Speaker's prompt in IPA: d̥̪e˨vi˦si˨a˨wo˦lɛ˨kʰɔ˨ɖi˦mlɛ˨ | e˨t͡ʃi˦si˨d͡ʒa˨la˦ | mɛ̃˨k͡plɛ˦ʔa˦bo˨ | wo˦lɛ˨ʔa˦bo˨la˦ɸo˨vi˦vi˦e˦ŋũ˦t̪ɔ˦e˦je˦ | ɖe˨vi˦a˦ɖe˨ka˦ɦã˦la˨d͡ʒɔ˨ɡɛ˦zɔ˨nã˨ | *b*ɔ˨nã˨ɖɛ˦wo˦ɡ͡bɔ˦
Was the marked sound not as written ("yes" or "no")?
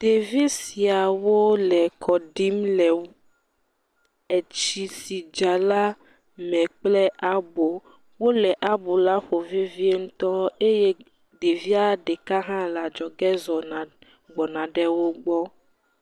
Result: yes